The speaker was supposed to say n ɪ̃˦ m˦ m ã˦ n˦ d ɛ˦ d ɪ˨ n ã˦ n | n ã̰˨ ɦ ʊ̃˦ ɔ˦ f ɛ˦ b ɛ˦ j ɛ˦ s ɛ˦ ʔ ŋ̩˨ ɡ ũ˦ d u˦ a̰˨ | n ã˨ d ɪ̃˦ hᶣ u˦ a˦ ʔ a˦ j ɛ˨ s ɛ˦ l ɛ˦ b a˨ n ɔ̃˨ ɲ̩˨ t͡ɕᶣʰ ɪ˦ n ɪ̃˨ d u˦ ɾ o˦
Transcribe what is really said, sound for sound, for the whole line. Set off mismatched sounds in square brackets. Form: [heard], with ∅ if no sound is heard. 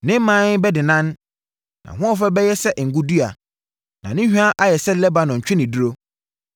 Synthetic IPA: n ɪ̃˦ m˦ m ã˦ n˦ [b] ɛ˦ d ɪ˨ n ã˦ n | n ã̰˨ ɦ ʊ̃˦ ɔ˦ f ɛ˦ b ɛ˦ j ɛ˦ s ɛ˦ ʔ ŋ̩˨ ɡ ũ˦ d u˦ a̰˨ | n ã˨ [n] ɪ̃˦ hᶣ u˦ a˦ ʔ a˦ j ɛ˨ s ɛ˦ l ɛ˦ b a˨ n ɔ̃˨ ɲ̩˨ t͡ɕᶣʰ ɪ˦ n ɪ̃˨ d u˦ ɾ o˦